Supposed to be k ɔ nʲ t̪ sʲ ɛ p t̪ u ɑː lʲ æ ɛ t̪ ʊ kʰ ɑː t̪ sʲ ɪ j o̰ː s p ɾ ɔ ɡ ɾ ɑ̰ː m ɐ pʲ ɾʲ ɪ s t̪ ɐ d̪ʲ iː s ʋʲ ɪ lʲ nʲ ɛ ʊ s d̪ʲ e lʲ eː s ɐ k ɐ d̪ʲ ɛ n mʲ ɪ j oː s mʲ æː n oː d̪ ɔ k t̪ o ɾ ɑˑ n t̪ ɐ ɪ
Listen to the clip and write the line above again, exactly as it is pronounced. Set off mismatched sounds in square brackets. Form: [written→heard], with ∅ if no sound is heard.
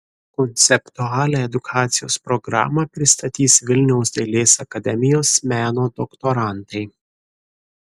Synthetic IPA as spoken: k ɔ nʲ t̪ sʲ ɛ p t̪ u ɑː lʲ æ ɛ [t̪→d̪] ʊ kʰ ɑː t̪ sʲ ɪ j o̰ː s p ɾ ɔ ɡ ɾ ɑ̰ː m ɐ pʲ ɾʲ ɪ s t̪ ɐ [d̪ʲ→t̪ʲ] iː s ʋʲ ɪ lʲ nʲ ɛ ʊ s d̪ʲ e lʲ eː s ɐ k ɐ d̪ʲ ɛ [n→∅] mʲ ɪ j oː s mʲ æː n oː d̪ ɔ k t̪ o ɾ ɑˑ n t̪ ɐ ɪ